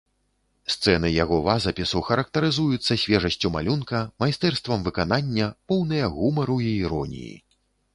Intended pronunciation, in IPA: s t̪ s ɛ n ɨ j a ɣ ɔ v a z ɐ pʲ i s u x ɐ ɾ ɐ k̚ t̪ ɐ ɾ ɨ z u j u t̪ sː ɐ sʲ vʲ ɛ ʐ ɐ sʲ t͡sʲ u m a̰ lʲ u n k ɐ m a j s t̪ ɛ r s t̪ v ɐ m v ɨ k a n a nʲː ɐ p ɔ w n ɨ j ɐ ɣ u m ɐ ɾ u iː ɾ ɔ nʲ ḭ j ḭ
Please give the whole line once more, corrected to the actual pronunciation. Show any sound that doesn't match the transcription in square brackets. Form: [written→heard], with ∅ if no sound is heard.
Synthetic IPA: s t̪ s ɛ n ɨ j a ɣ ɔ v a z ɐ pʲ i s u x ɐ ɾ ɐ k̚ t̪ ɐ ɾ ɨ z u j u t̪ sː ɐ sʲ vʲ ɛ ʐ ɐ sʲ t͡sʲ u m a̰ lʲ u n k ɐ m a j s t̪ ɛ r s t̪ v ɐ m v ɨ k a n a nʲː ɐ p ɔ w n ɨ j ɐ ɣ u m ɐ ɾ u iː ɾ ɔ nʲ ḭ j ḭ